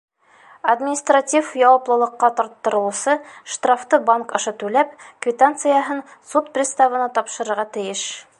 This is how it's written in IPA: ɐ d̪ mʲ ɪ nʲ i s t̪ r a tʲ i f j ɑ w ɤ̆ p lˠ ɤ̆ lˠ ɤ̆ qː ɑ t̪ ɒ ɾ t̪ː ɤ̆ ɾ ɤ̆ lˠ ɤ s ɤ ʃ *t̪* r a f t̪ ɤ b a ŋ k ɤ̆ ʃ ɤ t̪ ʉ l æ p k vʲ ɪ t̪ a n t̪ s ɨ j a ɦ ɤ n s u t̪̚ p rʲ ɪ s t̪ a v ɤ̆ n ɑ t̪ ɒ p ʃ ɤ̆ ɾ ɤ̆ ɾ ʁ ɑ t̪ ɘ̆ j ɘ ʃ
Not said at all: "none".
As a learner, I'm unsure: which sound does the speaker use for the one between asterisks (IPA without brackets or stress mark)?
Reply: t̪